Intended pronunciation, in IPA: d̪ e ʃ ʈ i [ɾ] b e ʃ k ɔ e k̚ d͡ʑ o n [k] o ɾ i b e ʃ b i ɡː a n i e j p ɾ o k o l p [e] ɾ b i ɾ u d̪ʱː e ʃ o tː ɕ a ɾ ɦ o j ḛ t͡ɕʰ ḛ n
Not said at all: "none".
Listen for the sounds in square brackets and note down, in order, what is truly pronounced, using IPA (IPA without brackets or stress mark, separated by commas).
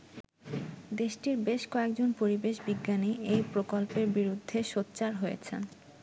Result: ɾ, p, e